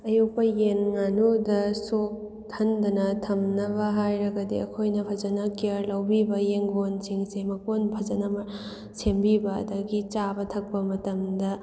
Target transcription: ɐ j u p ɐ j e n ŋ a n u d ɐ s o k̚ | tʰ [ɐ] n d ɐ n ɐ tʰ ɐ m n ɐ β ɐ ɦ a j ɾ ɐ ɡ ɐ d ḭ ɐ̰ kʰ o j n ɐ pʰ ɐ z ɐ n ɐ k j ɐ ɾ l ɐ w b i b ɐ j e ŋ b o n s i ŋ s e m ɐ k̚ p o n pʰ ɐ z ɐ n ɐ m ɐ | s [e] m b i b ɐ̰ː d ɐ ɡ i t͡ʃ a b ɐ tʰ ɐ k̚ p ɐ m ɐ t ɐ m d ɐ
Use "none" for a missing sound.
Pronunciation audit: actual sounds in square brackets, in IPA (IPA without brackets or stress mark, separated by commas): ɐ, e